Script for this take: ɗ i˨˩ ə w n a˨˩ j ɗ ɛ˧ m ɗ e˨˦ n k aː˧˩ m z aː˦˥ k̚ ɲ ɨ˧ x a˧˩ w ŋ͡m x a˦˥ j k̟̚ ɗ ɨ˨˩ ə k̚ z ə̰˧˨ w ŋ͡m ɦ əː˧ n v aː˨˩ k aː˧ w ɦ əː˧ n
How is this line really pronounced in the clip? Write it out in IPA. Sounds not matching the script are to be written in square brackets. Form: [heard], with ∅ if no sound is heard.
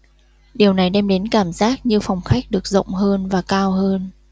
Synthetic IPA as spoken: ɗ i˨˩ ə w n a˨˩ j ɗ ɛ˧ m ɗ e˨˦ n k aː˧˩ m z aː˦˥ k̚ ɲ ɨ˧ [f] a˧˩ w ŋ͡m x a˦˥ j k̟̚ ɗ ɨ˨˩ ə k̚ z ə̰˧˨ w ŋ͡m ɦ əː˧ n v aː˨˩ k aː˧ w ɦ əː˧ n